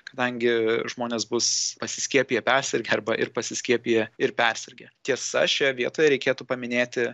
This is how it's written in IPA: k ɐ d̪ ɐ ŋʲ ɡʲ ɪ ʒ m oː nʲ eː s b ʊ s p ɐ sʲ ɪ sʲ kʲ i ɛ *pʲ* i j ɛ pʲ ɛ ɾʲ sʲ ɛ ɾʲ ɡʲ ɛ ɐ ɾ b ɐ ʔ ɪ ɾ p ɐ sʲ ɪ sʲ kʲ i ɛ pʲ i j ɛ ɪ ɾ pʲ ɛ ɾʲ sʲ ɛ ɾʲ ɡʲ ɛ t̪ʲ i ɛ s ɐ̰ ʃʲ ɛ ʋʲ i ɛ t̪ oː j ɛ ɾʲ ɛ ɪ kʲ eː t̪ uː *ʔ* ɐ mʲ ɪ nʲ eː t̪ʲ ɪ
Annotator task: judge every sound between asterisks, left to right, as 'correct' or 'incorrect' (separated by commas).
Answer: correct, incorrect